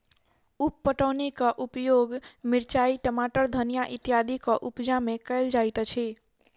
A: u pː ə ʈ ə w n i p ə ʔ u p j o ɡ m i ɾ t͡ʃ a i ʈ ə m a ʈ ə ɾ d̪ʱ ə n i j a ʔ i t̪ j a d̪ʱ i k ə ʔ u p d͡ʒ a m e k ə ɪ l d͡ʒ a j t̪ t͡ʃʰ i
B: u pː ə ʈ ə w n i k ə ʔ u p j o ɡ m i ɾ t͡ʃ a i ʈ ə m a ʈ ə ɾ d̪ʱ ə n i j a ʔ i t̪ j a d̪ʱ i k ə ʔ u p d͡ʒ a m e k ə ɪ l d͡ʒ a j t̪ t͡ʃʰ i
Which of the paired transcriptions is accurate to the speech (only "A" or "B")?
B